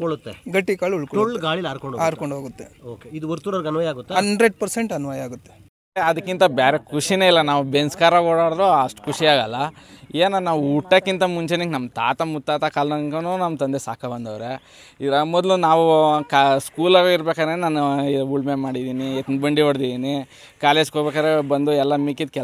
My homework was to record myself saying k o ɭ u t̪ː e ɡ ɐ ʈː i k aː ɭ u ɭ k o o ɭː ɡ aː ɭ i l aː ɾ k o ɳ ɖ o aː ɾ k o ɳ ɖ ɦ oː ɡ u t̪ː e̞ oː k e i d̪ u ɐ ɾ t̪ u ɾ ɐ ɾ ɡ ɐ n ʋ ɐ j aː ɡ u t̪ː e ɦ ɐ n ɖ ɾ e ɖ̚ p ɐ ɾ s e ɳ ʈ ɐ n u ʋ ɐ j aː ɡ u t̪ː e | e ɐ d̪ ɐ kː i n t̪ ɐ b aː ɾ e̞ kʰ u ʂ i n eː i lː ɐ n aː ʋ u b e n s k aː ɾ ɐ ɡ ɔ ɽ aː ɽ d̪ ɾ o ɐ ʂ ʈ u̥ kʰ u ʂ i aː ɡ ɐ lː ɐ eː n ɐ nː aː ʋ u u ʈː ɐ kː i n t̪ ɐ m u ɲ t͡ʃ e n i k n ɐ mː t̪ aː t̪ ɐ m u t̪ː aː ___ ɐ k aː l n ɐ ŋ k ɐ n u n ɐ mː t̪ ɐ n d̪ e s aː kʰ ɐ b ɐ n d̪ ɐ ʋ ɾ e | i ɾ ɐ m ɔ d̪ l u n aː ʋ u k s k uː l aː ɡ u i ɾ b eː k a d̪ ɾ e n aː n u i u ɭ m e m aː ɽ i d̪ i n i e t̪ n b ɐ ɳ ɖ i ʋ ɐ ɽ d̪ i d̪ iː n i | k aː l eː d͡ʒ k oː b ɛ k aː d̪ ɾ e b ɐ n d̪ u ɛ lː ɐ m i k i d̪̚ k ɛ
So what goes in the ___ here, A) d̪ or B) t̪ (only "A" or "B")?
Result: B